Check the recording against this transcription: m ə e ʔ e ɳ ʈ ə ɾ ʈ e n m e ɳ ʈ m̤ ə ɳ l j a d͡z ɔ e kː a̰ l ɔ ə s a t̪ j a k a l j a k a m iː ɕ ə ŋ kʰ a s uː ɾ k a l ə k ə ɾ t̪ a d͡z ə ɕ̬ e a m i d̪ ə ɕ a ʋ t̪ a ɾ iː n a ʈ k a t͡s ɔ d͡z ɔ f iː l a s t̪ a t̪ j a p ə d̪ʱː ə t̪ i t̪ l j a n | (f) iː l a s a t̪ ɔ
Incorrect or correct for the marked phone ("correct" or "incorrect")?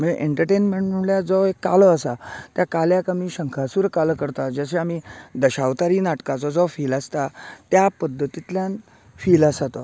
correct